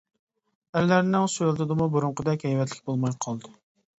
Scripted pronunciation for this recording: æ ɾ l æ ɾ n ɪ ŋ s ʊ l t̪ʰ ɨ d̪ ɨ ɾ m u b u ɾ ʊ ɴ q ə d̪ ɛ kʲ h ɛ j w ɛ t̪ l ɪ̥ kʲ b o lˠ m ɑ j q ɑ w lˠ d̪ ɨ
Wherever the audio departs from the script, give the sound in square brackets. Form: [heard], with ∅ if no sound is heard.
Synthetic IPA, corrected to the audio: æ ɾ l æ ɾ n ɪ ŋ s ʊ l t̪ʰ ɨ d̪ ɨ [∅] m u b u ɾ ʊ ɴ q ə d̪ ɛ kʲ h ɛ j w ɛ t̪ l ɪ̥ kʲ b o lˠ m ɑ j [qʰ] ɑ [∅] lˠ d̪ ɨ